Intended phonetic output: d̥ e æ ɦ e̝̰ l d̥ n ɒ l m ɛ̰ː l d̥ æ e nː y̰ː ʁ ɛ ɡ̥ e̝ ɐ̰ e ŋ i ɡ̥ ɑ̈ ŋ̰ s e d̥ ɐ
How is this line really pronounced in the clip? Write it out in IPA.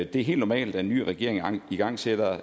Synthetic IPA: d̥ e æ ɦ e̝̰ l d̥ n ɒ m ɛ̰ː l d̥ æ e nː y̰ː ʁ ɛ ɡ̥ e̝ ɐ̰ e ŋ i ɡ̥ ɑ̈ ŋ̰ s e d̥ ɐ